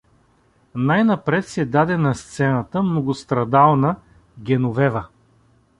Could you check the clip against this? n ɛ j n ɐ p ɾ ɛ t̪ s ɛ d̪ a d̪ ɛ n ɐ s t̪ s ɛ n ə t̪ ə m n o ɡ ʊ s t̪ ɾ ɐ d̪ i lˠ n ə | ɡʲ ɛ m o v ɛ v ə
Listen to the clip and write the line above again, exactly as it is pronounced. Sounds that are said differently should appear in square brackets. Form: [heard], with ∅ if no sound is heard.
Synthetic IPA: n [a] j n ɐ p ɾ ɛ t̪ s ɛ d̪ a d̪ ɛ n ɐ s t̪ s ɛ n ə t̪ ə m n o ɡ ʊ s t̪ ɾ ɐ d̪ [a] lˠ n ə | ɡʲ ɛ [n] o v ɛ v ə